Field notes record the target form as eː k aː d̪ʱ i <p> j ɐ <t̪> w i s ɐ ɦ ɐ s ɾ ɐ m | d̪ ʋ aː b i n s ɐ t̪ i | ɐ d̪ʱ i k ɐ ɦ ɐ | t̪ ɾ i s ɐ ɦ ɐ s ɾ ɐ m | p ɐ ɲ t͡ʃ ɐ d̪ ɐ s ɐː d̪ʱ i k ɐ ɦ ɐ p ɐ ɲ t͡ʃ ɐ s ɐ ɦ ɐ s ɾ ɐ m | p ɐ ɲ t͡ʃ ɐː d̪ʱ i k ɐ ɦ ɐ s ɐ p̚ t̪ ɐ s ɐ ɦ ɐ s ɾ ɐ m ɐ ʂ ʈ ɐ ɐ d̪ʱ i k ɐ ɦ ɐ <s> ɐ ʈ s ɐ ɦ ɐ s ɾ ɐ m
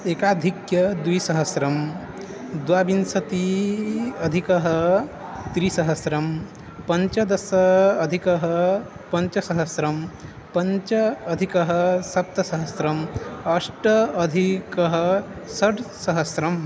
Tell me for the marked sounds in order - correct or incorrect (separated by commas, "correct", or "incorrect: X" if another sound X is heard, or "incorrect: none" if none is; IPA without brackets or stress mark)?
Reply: incorrect: k, incorrect: d̪, correct